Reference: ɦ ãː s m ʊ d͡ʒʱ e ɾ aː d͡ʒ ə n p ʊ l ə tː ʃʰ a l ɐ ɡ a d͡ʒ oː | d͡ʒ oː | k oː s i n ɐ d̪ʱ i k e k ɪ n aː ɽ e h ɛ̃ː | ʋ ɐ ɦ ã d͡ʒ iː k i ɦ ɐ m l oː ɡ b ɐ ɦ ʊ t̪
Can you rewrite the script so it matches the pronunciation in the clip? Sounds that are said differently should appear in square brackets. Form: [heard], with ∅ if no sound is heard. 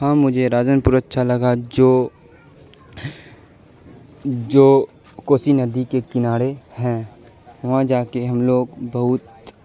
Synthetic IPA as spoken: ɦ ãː [∅] m ʊ d͡ʒʱ e ɾ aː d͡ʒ ə n p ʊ [ɾ] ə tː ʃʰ a l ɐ ɡ a d͡ʒ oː | d͡ʒ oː | k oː s i n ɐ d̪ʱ i k e k ɪ n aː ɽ e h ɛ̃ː | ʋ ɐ ɦ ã d͡ʒ [aː] k [e] ɦ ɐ m l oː ɡ b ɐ ɦ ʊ t̪